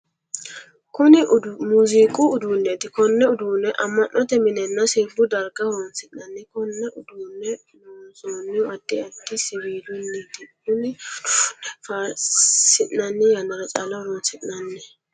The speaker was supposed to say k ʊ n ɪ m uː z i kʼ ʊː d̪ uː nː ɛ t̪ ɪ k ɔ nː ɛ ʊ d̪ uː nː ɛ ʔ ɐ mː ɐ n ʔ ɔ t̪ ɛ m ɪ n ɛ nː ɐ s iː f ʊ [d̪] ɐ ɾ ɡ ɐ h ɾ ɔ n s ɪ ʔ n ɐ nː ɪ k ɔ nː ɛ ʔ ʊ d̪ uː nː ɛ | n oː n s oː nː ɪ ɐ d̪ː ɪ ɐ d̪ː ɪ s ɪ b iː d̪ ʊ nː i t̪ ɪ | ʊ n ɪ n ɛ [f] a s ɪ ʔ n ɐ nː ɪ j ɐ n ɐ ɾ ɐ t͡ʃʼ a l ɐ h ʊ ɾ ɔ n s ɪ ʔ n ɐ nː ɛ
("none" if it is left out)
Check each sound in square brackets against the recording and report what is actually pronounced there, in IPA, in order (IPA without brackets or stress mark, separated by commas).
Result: d̪, f